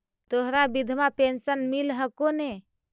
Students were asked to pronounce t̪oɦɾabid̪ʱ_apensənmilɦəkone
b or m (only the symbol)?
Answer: m